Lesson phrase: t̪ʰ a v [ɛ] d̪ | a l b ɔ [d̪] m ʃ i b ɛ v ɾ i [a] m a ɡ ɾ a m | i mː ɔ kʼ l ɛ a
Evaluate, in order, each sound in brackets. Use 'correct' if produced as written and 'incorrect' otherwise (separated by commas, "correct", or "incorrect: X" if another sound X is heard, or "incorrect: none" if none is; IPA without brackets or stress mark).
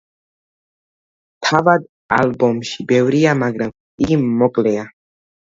incorrect: a, incorrect: none, correct